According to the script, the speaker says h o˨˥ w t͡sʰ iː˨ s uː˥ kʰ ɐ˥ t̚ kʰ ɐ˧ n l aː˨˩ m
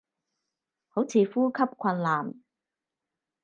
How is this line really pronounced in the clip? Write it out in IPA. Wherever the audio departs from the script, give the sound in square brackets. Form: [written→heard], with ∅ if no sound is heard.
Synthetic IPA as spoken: h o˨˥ w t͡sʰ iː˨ [s→f] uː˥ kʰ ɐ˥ [t̚→p̚] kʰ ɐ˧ n l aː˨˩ m